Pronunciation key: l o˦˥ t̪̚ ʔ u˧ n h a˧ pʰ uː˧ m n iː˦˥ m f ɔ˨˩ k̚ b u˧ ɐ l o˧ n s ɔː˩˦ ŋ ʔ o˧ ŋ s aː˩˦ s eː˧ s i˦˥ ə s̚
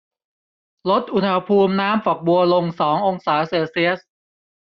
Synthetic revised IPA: l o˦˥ t̪̚ ʔ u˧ n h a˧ pʰ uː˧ m n aː˦˥ m f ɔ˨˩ k̚ b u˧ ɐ l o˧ ŋ s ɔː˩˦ ŋ ʔ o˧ ŋ s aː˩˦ s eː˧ s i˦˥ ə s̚